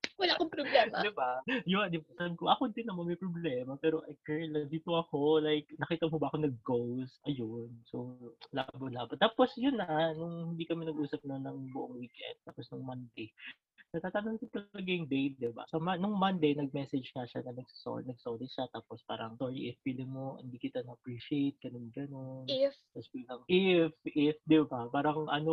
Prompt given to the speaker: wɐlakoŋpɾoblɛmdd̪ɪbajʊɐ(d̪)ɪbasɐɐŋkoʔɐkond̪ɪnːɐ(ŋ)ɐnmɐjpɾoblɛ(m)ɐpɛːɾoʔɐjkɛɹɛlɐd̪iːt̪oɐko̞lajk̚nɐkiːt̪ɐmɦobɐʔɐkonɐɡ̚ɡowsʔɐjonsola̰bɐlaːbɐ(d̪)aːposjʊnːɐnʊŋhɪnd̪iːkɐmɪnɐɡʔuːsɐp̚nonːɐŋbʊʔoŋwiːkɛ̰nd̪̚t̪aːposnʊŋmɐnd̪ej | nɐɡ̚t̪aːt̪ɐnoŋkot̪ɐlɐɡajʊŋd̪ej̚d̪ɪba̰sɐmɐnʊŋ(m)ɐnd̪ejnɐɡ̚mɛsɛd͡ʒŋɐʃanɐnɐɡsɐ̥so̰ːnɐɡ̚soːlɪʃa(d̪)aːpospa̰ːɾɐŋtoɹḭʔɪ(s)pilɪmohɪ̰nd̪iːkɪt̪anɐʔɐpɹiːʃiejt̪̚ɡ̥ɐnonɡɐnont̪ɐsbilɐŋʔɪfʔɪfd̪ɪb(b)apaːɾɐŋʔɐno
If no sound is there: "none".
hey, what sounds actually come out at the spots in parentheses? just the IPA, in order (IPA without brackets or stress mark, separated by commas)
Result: d̪, m, m, t̪, m, t̪, f, b